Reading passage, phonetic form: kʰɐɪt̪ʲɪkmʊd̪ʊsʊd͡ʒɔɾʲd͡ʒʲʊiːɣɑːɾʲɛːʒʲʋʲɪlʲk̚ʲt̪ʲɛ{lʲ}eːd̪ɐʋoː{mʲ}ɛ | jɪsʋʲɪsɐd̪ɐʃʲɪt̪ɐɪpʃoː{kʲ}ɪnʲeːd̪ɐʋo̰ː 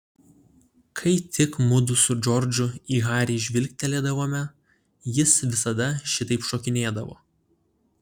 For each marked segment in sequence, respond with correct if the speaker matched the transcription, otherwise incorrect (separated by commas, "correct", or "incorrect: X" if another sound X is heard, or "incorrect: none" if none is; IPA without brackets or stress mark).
correct, correct, correct